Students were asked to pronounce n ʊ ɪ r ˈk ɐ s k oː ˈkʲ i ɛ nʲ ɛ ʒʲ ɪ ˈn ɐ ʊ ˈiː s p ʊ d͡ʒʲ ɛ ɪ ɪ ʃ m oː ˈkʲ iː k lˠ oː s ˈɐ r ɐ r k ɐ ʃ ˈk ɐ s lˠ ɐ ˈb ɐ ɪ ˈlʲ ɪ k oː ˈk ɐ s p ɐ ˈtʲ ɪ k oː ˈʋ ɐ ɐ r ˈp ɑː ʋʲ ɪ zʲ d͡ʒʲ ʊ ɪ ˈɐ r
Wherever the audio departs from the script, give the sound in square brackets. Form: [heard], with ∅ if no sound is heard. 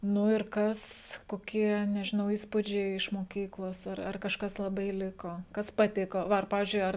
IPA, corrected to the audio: n ʊ ɪ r ˈk ɐ s k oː ˈkʲ i ɛ nʲ ɛ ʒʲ ɪ ˈn ɐ ʊ ˈiː s p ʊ d͡ʒʲ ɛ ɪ ɪ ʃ m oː ˈkʲ iː k lˠ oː s ˈɐ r ɐ r k ɐ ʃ ˈk ɐ s lˠ ɐ ˈb ɐ ɪ ˈlʲ ɪ k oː ˈk ɐ s p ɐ ˈtʲ ɪ k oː ˈʋ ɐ ɐ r ˈp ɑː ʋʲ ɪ zʲ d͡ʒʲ ʊ ɪ ˈɐ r

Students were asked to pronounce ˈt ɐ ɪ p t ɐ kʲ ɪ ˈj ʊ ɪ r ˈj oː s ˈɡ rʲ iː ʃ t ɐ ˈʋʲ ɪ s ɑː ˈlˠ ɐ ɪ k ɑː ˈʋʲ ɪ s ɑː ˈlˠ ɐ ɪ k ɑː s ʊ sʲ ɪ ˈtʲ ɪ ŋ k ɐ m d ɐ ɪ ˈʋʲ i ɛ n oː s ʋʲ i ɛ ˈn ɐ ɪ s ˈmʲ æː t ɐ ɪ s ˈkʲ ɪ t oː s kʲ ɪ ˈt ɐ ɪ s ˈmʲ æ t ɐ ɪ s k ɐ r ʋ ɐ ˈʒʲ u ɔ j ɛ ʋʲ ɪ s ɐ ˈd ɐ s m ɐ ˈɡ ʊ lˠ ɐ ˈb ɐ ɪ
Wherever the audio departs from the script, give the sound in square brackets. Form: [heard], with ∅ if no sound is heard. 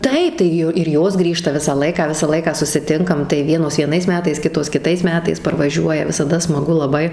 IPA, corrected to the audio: ˈt ɐ ɪ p t ɐ [∅] ɪ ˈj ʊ ɪ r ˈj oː s ˈɡ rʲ iː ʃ t ɐ ˈʋʲ ɪ s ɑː ˈlˠ ɐ ɪ k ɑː ˈʋʲ ɪ s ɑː ˈlˠ ɐ ɪ k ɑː s ʊ sʲ ɪ ˈtʲ ɪ ŋ k ɐ m [t] ɐ ɪ ˈʋʲ i ɛ n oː s ʋʲ i ɛ ˈn ɐ ɪ s ˈmʲ æː t ɐ ɪ s ˈkʲ ɪ t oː s kʲ ɪ ˈt ɐ ɪ s ˈmʲ [æː] t ɐ ɪ s [p] ɐ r ʋ ɐ ˈʒʲ u ɔ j ɛ ʋʲ ɪ s ɐ ˈd ɐ s m ɐ ˈɡ ʊ lˠ ɐ ˈb ɐ ɪ

